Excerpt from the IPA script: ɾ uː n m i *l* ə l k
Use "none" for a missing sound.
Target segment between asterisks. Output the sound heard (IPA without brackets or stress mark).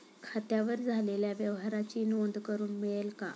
ɭ